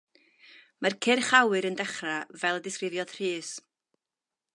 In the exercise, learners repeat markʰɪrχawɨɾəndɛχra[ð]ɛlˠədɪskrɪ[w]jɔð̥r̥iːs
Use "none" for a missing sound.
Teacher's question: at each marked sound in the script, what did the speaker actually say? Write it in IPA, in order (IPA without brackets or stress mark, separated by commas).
v, v